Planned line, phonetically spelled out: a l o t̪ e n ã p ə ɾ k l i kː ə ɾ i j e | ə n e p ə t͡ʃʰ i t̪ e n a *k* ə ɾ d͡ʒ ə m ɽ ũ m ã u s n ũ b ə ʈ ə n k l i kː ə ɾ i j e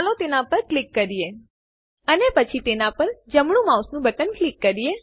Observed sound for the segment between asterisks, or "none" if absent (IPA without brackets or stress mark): p